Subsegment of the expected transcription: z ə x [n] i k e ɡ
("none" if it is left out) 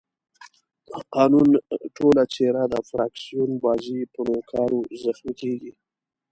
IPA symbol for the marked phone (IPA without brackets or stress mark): m